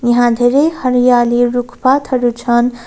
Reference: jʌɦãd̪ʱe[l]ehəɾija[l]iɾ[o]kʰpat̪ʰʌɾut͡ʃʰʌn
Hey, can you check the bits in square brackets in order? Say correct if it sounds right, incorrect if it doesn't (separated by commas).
incorrect, correct, incorrect